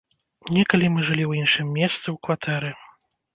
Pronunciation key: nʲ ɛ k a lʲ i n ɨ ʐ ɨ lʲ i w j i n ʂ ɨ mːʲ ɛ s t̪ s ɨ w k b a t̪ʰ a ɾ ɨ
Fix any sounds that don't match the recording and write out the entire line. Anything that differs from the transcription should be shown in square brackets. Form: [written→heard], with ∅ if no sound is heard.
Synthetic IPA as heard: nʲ ɛ k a lʲ i [n→m] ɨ ʐ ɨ lʲ i w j i n ʂ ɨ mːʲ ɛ s t̪ s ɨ w k [b→v] a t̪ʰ [a→ɛ] ɾ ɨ